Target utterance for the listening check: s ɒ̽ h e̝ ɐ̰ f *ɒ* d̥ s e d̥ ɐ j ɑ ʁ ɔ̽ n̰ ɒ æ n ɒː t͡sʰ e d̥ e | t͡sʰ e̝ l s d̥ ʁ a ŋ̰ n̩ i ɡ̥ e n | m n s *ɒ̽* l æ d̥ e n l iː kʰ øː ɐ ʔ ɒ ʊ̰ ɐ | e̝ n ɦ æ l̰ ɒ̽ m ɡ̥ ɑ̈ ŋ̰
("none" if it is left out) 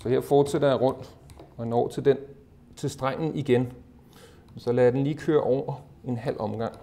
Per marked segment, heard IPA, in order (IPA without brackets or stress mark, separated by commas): ɒː, ɒ̽